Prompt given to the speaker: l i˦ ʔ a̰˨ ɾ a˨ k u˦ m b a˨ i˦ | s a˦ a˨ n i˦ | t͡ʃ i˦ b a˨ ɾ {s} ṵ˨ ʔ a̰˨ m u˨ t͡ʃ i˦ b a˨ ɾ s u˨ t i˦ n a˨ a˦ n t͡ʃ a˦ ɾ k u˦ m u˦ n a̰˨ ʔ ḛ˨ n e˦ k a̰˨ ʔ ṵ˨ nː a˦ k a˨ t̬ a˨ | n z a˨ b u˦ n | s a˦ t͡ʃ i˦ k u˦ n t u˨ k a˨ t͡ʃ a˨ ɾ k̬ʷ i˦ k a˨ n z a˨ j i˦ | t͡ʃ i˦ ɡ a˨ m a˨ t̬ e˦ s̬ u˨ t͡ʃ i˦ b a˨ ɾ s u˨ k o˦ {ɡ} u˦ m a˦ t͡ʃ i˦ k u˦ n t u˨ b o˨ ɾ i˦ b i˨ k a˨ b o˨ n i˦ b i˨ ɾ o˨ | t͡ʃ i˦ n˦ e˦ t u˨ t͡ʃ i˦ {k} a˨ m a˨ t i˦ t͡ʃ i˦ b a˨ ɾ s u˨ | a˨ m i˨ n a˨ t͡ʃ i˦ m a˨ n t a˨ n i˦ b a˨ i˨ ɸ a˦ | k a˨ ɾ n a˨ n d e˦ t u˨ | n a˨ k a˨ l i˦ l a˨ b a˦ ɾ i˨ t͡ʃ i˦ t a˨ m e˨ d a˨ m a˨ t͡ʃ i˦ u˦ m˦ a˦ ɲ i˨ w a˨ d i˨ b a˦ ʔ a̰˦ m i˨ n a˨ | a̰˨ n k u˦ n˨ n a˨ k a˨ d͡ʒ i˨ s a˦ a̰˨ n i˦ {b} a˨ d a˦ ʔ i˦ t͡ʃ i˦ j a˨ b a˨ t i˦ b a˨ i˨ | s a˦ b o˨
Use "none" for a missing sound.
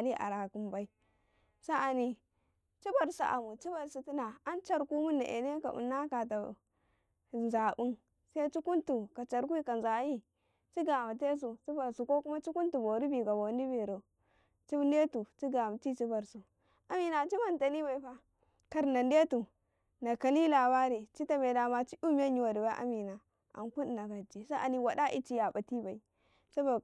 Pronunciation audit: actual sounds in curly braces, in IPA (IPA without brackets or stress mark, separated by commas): s, k, ɡ, w